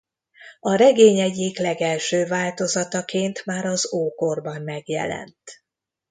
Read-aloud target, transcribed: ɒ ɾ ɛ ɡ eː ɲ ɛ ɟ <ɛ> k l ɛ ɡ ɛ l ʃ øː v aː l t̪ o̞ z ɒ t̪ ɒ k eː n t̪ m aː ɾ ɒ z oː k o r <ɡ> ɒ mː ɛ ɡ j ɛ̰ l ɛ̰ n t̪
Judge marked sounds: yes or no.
no, no

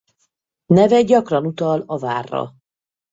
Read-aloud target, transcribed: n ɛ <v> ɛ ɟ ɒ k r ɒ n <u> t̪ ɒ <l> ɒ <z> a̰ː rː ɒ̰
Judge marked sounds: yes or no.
yes, yes, yes, no

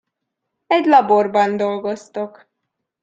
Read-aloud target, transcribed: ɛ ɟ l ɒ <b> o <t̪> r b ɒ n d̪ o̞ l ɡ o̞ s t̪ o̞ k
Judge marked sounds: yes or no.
yes, no

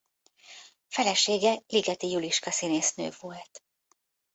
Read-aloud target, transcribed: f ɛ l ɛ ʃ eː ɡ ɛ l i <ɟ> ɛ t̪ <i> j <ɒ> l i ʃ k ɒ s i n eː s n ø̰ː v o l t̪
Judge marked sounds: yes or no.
no, yes, no

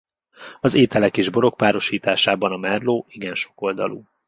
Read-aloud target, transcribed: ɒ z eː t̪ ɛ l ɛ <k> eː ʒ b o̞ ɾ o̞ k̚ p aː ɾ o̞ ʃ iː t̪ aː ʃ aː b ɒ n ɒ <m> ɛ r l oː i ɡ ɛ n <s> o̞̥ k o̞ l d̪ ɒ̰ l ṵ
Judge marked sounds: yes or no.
yes, yes, no

